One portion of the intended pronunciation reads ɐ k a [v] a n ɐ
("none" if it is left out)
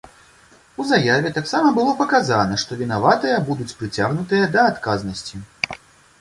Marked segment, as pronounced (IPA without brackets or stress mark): z